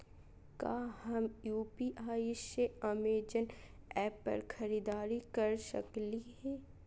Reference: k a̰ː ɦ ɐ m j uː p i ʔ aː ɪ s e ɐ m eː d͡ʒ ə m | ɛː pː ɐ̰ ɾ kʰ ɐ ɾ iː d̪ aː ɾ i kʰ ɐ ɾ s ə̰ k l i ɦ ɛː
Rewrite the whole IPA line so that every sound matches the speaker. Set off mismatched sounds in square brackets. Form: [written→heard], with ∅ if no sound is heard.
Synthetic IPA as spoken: k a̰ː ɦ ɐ m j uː p i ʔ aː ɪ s e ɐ m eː d͡ʒ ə [m→n] | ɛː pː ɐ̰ ɾ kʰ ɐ ɾ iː d̪ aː ɾ i [kʰ→k] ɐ ɾ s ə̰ k l i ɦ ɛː